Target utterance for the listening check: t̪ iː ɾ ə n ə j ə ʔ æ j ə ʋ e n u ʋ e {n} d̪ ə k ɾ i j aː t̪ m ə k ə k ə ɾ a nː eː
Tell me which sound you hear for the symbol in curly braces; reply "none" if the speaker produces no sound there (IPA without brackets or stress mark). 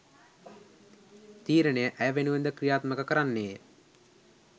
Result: n